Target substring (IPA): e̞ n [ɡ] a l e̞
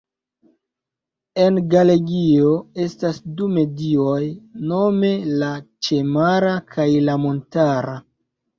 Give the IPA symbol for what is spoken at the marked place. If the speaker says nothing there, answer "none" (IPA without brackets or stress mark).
ɡ